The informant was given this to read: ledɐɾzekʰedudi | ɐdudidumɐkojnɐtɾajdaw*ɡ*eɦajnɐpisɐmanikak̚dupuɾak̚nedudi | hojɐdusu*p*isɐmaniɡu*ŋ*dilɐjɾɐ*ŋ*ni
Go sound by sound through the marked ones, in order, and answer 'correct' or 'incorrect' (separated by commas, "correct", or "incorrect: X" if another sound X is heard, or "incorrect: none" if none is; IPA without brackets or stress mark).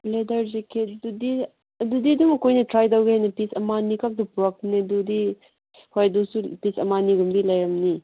correct, correct, incorrect: m, incorrect: m